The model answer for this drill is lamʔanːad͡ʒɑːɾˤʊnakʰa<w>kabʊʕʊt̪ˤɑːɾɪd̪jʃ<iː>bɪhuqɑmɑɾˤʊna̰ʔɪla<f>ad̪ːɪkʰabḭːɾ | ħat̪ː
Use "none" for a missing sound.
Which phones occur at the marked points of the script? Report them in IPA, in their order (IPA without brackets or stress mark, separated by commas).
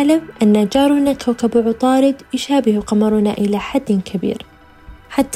w, aː, ħ